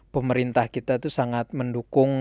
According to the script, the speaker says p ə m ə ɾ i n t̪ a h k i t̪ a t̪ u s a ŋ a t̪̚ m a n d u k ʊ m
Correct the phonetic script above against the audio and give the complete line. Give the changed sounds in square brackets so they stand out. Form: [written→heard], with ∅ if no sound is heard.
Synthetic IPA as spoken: p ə m ə ɾ i n t̪ a h k i t̪ a t̪ u s a ŋ a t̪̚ m [a→ə] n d u k ʊ [m→ŋ]